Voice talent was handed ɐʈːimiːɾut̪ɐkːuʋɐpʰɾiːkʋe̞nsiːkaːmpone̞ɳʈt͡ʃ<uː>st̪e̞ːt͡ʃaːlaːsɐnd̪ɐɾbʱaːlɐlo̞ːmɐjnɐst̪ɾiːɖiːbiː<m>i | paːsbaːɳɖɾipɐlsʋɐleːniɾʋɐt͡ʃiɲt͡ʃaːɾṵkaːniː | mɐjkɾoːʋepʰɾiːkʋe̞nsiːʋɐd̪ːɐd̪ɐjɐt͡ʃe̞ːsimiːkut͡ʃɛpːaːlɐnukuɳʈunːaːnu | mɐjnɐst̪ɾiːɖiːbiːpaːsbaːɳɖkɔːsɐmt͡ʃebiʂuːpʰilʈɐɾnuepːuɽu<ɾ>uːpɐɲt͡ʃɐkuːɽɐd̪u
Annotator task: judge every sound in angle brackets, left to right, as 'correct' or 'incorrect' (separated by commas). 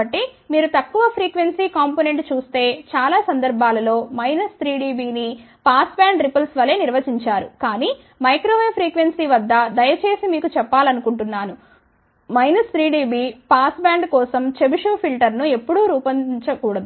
correct, incorrect, correct